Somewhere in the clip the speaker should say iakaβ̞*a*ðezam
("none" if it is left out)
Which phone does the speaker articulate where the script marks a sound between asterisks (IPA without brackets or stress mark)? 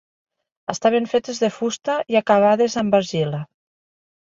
a